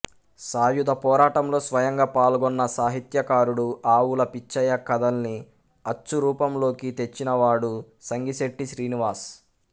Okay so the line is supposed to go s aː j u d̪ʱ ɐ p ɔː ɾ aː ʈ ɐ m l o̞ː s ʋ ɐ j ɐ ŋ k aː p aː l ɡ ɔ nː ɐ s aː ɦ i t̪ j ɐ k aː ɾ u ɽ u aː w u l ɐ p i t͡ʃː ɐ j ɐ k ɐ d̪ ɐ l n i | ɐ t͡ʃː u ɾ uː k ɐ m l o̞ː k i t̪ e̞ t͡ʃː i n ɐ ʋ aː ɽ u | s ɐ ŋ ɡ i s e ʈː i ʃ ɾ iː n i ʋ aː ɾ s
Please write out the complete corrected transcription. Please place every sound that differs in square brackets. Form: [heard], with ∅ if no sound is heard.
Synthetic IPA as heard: s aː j u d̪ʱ ɐ p ɔː ɾ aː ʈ ɐ m l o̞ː s ʋ ɐ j ɐ ŋ [ɡ] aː p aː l ɡ ɔ nː ɐ s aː ɦ i t̪ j ɐ k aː ɾ u ɽ u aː w u l ɐ p i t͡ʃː ɐ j ɐ k ɐ d̪ ɐ l n i | ɐ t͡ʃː u ɾ uː [p] ɐ m l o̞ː k i t̪ e̞ t͡ʃː i n ɐ ʋ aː ɽ u | s ɐ ŋ ɡ i s e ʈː i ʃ ɾ iː n i ʋ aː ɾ s